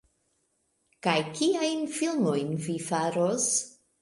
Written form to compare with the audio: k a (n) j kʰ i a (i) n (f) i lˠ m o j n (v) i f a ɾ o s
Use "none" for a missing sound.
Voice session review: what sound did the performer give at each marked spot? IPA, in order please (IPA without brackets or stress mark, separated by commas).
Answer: none, j, f, v